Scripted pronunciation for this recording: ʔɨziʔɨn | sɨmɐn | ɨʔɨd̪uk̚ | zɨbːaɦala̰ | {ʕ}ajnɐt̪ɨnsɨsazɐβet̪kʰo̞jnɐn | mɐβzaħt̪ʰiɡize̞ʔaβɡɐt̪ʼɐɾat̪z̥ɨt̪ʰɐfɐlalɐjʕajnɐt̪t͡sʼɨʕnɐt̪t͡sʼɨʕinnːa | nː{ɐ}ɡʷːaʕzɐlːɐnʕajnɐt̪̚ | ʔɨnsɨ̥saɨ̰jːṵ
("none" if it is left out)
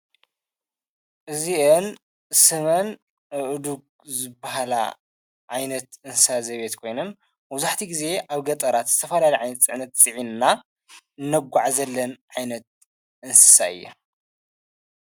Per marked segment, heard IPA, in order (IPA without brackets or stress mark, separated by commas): ʕ, ɐ